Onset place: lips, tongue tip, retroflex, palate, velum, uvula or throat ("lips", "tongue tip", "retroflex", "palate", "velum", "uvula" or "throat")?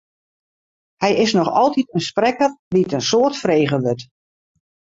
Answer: throat